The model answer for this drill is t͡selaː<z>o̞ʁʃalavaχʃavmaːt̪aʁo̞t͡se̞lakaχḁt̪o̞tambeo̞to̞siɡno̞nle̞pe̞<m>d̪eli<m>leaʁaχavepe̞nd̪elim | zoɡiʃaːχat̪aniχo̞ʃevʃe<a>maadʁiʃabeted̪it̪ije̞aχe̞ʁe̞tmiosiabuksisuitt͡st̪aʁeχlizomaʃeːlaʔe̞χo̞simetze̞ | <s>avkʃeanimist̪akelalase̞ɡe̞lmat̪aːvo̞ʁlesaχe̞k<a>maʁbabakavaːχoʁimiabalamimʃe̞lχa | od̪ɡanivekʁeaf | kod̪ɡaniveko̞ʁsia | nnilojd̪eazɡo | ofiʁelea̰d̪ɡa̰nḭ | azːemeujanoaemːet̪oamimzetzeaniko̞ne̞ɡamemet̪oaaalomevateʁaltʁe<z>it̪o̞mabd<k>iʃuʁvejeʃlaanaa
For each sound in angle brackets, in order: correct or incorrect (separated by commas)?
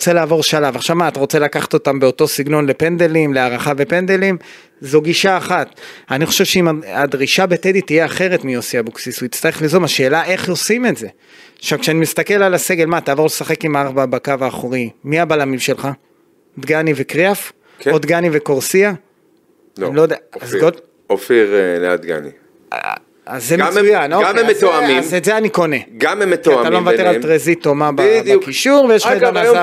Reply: incorrect, incorrect, correct, incorrect, incorrect, incorrect, correct, correct